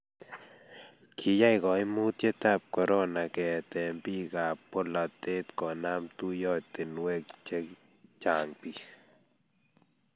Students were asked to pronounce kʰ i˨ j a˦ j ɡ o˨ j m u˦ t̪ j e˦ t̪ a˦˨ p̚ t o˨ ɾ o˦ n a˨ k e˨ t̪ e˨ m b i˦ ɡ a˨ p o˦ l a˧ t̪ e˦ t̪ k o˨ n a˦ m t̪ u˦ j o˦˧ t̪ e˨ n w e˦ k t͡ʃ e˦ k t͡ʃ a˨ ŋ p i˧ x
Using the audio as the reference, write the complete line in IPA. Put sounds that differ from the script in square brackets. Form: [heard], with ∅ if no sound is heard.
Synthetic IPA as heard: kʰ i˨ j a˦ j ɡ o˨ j m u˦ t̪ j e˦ t̪ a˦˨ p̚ [k] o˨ ɾ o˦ n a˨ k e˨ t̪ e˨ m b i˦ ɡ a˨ p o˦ l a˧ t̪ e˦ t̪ k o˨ n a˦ m t̪ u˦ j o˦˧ t̪ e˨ n w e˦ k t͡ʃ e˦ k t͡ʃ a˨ ŋ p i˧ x